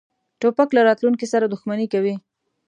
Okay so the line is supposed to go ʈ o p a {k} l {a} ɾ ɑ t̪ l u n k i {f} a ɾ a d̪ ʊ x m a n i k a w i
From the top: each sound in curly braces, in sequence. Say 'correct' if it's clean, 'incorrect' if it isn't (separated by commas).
correct, correct, incorrect